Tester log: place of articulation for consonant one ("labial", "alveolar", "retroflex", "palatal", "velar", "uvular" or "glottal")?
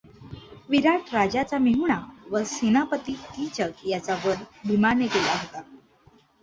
labial